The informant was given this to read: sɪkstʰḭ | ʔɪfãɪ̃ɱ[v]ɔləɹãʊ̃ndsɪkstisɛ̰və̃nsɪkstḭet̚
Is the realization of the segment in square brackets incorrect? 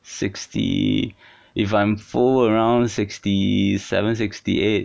yes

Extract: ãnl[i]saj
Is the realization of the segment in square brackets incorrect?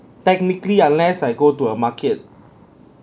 yes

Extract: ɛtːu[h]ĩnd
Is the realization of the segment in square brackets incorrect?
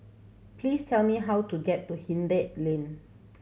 no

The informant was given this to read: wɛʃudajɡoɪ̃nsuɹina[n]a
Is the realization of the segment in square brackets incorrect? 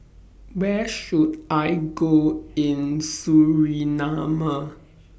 yes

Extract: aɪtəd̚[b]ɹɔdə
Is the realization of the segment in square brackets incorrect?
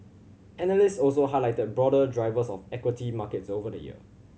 no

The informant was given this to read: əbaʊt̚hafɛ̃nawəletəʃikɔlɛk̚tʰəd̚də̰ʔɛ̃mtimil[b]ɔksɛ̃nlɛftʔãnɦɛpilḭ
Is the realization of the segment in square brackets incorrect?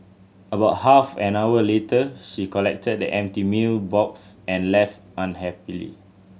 no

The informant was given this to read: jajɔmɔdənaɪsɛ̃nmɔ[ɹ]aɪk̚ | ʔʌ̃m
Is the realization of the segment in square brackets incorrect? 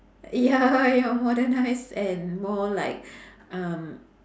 yes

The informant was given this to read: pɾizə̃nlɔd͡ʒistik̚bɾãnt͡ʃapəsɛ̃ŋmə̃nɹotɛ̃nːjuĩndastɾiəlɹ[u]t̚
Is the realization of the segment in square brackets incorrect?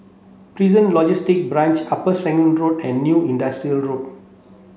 yes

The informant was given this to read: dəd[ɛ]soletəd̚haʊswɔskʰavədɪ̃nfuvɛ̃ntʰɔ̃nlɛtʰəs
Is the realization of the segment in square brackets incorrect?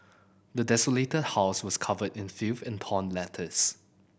no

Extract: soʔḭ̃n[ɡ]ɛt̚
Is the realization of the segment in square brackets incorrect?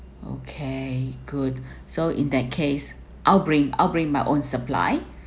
yes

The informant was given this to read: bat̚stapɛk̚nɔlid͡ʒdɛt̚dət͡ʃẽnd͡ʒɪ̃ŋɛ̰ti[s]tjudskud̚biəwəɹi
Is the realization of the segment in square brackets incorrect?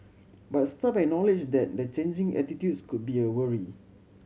yes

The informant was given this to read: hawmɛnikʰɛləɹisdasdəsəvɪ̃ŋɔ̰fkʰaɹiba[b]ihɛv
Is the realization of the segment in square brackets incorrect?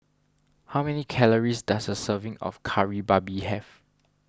no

